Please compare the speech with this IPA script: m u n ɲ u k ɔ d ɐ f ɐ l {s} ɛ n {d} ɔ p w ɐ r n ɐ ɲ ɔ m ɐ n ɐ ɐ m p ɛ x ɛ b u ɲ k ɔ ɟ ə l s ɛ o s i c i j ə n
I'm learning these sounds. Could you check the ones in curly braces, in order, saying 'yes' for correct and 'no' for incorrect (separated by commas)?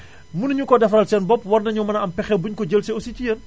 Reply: yes, no